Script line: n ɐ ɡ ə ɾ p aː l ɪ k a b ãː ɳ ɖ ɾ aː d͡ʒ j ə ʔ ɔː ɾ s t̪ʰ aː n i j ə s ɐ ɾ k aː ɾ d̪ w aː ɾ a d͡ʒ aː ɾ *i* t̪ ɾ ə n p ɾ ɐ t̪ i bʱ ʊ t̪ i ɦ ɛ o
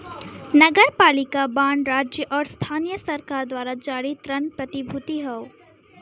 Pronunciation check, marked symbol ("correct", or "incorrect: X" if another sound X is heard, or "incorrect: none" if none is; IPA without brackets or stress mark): correct